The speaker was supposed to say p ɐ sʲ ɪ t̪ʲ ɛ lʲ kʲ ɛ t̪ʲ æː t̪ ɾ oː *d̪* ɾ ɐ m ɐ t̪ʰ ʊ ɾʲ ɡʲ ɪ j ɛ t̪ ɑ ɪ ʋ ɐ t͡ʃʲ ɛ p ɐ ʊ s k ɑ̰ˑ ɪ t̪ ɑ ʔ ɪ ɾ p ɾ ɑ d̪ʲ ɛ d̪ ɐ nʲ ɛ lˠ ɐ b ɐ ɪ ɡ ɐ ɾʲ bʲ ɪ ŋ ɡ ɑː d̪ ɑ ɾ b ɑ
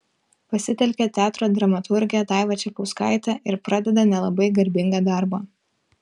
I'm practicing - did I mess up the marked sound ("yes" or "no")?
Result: no